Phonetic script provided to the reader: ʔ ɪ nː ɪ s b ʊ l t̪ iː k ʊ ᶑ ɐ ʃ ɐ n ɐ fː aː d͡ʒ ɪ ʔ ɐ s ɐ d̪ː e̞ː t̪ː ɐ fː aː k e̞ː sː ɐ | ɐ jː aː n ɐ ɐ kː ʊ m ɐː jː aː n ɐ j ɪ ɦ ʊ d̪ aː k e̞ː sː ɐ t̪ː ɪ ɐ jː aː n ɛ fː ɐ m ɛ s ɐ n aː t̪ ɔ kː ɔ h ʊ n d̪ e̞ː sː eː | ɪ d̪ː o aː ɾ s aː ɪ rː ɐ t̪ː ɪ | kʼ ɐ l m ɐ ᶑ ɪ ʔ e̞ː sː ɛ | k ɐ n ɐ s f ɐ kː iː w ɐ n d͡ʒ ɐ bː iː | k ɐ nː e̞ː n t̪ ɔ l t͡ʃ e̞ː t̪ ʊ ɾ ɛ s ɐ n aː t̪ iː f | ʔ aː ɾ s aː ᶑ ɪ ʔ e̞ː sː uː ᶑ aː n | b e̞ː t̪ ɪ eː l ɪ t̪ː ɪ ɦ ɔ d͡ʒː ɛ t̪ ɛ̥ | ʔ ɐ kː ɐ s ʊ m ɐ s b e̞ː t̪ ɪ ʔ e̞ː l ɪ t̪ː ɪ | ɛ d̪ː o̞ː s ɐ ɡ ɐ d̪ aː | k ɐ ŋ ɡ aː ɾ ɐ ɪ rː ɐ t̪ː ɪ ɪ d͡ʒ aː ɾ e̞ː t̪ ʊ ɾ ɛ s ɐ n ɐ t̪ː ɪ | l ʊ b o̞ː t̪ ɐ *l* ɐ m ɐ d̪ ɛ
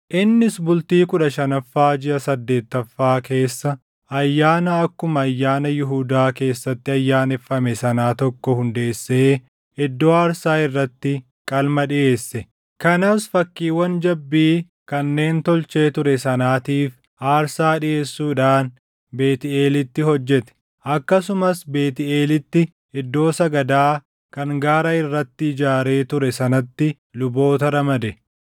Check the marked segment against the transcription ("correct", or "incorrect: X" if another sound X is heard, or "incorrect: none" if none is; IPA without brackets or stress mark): incorrect: ɾ